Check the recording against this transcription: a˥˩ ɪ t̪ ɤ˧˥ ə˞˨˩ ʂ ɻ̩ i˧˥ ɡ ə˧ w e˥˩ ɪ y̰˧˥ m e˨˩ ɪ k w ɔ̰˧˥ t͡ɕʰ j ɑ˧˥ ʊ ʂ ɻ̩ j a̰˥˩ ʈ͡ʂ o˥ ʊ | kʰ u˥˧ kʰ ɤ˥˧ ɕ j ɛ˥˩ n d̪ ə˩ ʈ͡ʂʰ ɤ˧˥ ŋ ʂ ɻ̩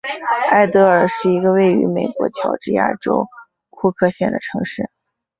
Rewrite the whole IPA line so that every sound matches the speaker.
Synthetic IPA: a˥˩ ɪ t̪ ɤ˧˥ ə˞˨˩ ʂ ɻ̩ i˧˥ ɡ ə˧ w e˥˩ ɪ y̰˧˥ m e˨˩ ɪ k w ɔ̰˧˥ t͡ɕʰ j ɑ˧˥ ʊ ʈ͡ʂ ɻ̩ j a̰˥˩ ʈ͡ʂ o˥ ʊ | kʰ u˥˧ kʰ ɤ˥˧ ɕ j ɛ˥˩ n d̪ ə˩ ʈ͡ʂʰ ɤ˧˥ ŋ ʂ ɻ̩